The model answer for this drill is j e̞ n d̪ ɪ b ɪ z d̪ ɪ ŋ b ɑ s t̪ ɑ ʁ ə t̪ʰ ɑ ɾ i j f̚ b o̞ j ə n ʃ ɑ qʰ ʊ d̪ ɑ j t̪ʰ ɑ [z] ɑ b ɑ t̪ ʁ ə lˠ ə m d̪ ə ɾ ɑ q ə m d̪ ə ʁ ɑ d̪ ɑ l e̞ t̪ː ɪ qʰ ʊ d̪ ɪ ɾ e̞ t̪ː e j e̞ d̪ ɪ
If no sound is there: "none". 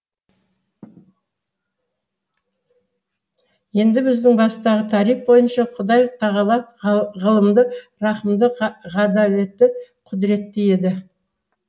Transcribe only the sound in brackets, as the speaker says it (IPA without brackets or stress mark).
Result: ʁ